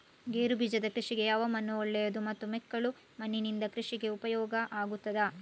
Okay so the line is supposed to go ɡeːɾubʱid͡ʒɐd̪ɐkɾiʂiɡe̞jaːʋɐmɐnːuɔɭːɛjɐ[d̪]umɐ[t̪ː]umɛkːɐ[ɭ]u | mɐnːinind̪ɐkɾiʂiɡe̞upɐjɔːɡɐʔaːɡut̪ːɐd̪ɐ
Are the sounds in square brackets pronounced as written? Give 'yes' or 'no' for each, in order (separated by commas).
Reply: yes, yes, yes